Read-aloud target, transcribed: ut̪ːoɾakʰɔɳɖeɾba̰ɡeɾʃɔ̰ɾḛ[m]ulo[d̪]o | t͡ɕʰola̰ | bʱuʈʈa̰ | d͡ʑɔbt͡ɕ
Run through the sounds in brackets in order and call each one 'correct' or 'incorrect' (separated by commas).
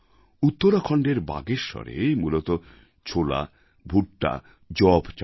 correct, incorrect